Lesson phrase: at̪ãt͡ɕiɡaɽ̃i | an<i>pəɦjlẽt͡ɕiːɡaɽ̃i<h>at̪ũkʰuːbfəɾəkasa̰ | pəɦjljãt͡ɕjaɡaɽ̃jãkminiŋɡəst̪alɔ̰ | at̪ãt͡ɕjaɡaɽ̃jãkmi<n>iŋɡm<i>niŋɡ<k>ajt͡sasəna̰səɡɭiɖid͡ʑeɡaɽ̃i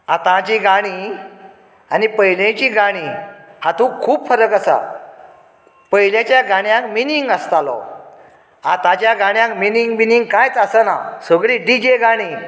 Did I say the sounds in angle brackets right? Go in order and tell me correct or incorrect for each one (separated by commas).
correct, correct, correct, correct, correct